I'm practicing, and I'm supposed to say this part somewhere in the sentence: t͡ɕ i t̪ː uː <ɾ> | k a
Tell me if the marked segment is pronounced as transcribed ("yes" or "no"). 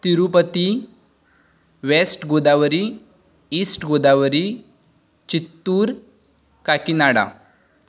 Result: yes